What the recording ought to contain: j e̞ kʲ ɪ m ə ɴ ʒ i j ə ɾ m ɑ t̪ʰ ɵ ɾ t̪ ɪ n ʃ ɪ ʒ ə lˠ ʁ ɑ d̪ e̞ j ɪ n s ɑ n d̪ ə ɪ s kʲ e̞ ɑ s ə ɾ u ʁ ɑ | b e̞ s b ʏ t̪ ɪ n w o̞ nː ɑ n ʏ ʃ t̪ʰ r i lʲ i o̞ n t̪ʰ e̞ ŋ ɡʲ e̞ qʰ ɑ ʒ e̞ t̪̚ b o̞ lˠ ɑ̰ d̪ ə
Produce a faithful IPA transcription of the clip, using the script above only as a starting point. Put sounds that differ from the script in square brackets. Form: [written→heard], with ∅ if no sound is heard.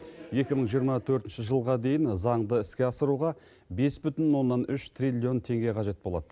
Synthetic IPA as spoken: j e̞ kʲ ɪ m ə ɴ ʒ i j ə ɾ m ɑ t̪ʰ ɵ ɾ t̪ ɪ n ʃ ɪ ʒ ə lˠ ʁ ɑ d̪ e̞ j ɪ n [s→z] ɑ [n→ɴ] d̪ ə ɪ s kʲ e̞ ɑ s ə ɾ u ʁ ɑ | b e̞ s b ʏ t̪ ɪ n w o̞ nː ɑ n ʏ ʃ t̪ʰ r i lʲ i o̞ n t̪ʰ e̞ ŋ ɡʲ e̞ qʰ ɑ ʒ e̞ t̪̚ b o̞ lˠ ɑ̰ d̪ ə